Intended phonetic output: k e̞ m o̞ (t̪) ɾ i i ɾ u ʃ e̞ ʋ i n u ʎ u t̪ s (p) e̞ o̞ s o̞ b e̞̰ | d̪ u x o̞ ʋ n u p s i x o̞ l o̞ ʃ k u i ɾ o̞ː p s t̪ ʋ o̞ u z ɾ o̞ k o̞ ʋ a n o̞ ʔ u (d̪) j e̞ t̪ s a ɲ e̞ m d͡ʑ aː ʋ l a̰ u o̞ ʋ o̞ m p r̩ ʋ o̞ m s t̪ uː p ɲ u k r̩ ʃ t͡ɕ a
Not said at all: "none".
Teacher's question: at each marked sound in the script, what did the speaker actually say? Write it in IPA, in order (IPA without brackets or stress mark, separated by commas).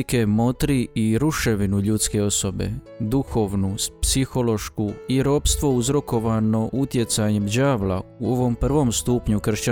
t̪, k, t̪